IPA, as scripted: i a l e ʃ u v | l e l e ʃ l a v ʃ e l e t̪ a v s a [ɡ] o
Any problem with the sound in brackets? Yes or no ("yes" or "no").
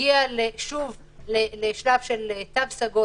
no